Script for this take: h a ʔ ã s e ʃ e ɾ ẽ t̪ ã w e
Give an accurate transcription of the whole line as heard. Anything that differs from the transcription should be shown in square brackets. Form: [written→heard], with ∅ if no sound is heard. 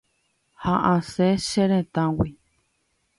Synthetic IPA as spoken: h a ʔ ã s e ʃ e ɾ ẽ t̪ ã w [e→i]